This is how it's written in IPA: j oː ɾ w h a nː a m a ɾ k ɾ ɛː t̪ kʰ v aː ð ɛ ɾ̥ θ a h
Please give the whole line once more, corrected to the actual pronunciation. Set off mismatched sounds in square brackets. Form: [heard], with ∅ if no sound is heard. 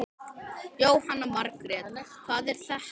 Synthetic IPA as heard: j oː [∅] w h a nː a m a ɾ k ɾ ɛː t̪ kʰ v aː ð ɛ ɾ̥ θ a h